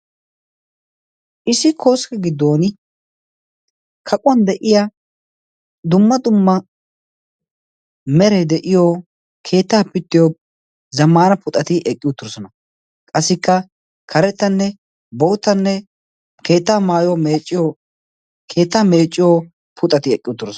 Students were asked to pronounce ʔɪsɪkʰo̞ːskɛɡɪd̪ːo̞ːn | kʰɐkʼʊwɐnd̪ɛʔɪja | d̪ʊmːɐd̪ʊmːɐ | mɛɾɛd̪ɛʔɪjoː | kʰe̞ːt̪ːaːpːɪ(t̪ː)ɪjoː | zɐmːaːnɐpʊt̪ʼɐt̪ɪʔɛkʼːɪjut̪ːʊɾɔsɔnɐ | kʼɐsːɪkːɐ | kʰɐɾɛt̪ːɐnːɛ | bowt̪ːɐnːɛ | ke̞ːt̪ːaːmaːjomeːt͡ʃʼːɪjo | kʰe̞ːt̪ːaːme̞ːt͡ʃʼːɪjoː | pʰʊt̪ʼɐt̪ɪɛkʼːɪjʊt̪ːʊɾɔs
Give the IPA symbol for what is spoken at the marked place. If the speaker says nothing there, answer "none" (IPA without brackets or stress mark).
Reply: t̪ː